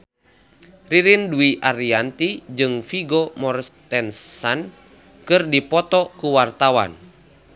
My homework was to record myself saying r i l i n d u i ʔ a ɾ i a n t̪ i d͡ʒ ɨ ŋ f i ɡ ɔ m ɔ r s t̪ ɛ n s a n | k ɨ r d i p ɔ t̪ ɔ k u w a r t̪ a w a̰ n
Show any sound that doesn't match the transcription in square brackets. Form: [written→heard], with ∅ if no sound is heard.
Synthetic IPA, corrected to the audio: r i [l→ɾ] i n d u i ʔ a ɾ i a n t̪ i d͡ʒ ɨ ŋ f i ɡ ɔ m ɔ r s t̪ ɛ n s a n | k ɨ r d i p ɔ t̪ ɔ k u w a r t̪ a w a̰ n